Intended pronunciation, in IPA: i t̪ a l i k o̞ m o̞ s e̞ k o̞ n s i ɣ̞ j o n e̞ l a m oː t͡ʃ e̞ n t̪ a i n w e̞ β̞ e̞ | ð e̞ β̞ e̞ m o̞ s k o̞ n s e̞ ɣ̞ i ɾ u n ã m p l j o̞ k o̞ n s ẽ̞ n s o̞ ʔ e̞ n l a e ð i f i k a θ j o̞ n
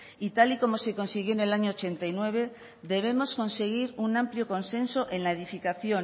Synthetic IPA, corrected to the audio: i t̪ a l i k o̞ m o̞ s e̞ k o̞ n s i ɣ̞ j o n e̞ l a ɲ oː t͡ʃ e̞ n t̪ a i n w e̞ β̞ e̞ | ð e̞ β̞ e̞ m o̞ s k o̞ n s e̞ ɣ̞ i ɾ u n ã m p l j o̞ k o̞ n s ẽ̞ n s o̞ ʔ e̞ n l a e ð i f i k a θ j o̞ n